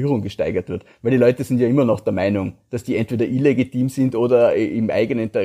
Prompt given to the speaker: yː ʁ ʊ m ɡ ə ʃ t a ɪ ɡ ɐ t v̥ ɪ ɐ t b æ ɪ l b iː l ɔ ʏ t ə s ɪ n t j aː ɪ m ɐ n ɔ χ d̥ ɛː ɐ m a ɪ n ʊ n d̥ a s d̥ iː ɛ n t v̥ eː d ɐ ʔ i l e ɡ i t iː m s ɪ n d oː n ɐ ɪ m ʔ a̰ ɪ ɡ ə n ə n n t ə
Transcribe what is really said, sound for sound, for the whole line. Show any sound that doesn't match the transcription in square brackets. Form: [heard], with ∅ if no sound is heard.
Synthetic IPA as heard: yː ʁ ʊ [ŋ] ɡ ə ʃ t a ɪ ɡ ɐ t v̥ ɪ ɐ t [v] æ ɪ l [d] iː l ɔ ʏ t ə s ɪ n t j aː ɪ m ɐ n ɔ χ d̥ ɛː ɐ m a ɪ n ʊ [ŋ] d̥ a s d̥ iː ɛ n t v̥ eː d ɐ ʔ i l e ɡ i t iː m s ɪ n d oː [d] ɐ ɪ m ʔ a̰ ɪ ɡ ə n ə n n t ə